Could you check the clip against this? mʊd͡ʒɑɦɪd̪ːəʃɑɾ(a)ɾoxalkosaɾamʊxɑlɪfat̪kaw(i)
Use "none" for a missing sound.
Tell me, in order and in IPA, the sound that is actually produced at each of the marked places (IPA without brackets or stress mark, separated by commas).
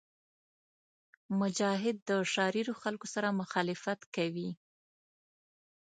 i, i